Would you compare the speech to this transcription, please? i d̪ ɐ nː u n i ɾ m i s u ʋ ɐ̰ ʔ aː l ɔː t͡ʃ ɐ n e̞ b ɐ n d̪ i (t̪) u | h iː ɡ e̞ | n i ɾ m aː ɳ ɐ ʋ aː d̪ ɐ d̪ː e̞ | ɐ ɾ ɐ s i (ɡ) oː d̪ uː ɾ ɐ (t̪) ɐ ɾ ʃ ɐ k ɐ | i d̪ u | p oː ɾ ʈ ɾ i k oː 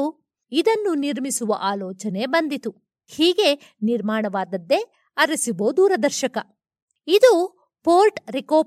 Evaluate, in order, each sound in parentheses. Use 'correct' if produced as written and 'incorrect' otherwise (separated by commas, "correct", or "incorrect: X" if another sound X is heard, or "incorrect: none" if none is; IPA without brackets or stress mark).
correct, incorrect: b, incorrect: d̪